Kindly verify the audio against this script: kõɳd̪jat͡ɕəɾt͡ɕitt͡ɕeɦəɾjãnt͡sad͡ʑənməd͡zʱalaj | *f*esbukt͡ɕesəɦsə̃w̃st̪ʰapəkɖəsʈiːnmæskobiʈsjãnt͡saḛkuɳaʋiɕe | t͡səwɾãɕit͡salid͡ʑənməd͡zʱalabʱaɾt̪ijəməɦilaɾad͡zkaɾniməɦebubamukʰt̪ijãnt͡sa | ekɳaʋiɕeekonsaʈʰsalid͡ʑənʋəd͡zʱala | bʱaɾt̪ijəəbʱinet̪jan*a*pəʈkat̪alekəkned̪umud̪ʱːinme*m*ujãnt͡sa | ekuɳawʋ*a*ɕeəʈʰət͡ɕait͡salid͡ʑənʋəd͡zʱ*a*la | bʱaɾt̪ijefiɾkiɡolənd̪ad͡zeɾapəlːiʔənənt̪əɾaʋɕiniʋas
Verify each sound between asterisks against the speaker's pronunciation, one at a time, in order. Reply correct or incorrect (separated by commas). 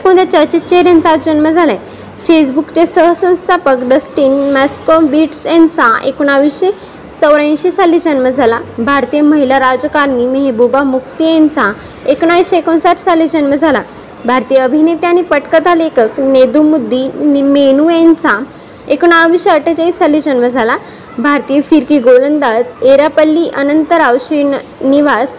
correct, incorrect, incorrect, incorrect, correct